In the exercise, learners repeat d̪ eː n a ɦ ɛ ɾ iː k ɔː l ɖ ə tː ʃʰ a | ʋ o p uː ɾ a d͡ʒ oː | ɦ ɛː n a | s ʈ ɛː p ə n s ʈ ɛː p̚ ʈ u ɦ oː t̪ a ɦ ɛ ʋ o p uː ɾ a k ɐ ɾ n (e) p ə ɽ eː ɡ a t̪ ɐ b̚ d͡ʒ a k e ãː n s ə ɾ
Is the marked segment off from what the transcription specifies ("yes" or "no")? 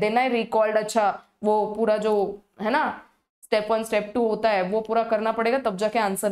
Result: yes